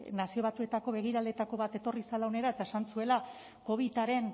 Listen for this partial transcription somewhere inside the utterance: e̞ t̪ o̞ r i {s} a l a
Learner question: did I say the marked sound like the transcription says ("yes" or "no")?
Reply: yes